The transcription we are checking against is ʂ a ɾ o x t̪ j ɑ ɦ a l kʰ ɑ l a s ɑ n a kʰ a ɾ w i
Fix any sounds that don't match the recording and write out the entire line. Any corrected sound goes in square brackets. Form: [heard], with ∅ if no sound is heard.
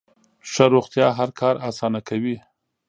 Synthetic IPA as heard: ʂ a ɾ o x t̪ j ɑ ɦ a [ɾ] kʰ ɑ [ɾ] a s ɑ n a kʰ a [∅] w i